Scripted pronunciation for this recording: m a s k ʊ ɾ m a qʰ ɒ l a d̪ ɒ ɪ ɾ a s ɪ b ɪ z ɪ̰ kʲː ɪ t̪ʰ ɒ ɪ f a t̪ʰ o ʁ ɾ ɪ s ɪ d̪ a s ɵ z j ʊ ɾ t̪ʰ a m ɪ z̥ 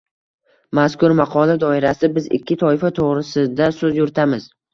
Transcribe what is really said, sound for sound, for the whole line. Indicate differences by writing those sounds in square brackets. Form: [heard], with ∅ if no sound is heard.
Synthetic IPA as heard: m a s k ʊ ɾ m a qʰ ɒ l a d̪ ɒ ɪ ɾ a s ɪ b ɪ z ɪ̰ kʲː ɪ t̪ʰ ɒ ɪ f a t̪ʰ o ʁ ɾ ɪ s ɪ d̪ a s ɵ z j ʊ ɾ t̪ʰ a m ɪ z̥